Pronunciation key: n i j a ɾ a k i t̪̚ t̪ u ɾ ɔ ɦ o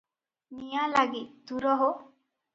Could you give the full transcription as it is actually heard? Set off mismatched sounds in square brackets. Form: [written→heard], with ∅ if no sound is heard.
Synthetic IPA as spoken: n i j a [ɾ→l] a [k→ɡ] i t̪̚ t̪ u ɾ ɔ ɦ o